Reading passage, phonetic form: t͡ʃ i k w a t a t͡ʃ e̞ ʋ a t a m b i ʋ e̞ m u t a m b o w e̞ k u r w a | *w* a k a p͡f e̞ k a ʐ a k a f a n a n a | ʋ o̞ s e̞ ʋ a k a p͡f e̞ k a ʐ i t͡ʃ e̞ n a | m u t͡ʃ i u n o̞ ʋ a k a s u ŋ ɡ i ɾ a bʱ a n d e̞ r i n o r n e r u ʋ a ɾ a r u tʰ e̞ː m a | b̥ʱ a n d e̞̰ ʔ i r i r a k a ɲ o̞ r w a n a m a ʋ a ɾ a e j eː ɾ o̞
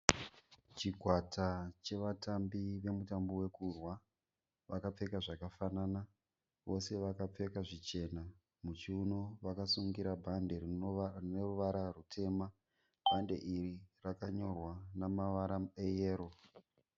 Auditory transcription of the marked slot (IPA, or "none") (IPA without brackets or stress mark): ʋ